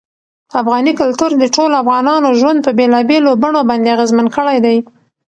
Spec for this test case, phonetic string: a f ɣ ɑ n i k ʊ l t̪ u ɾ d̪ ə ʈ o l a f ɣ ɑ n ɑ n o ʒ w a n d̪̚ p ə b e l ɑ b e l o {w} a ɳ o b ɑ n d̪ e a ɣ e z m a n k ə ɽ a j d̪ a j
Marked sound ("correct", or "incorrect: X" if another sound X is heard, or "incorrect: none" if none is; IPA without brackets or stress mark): incorrect: b